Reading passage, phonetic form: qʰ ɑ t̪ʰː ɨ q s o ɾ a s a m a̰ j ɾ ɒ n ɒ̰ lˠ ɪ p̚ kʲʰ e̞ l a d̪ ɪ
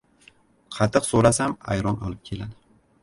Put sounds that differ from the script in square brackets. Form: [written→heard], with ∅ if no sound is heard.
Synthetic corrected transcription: qʰ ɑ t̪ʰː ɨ q s o ɾ a s a m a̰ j ɾ ɒ n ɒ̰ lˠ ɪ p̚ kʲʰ e̞ l a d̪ ɪ